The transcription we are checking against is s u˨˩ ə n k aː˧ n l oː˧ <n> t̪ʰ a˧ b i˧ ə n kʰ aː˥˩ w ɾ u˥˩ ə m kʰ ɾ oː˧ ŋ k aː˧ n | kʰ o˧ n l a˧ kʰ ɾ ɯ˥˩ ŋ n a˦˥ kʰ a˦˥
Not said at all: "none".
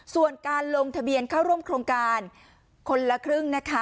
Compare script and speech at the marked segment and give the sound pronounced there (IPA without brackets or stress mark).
ŋ